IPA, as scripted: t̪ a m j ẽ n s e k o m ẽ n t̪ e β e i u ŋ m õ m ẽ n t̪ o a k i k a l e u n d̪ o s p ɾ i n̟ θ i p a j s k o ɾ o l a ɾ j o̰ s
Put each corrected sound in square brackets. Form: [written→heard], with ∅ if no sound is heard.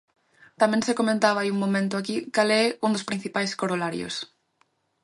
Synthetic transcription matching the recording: t̪ a m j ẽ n s e k o m ẽ n t̪ [e→a] β [e→a] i u ŋ m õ m ẽ n t̪ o a k i k a l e u n d̪ o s p ɾ i n̟ θ i p a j s k o ɾ o l a ɾ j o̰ s